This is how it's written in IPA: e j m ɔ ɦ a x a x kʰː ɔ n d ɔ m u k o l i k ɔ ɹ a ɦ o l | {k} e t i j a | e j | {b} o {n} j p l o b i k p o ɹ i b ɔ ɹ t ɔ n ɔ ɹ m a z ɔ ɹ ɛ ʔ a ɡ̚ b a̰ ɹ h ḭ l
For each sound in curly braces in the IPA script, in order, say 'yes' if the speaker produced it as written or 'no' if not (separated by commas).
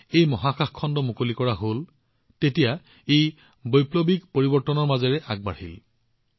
no, yes, no